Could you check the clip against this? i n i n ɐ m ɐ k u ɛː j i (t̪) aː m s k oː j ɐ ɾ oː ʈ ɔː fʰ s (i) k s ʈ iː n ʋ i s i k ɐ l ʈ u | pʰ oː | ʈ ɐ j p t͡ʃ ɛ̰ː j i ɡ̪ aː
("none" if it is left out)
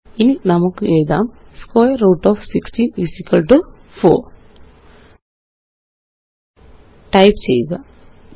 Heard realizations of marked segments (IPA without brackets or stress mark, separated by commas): d̪, i